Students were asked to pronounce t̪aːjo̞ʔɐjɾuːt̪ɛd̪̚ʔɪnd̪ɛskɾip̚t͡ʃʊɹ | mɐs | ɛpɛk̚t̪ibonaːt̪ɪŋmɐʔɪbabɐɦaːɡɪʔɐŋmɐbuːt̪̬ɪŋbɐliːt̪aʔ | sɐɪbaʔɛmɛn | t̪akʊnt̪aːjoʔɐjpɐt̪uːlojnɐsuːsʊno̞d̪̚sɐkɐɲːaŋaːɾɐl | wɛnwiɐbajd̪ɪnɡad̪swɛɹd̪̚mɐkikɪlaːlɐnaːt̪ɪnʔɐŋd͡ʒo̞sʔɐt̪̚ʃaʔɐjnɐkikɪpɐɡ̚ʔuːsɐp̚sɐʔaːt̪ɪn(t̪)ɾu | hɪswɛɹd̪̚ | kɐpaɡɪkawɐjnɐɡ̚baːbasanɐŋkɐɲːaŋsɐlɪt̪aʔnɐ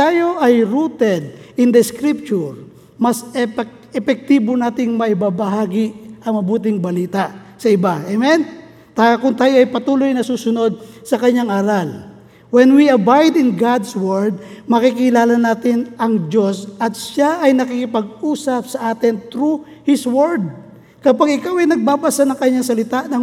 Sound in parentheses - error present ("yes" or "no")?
no